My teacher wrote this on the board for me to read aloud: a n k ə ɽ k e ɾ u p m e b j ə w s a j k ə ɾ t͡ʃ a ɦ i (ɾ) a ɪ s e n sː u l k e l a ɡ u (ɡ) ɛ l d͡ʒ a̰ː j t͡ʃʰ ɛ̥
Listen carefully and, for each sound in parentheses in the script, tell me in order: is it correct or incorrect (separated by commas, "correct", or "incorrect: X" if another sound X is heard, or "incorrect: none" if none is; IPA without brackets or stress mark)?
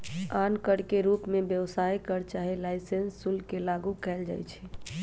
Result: incorrect: l, incorrect: k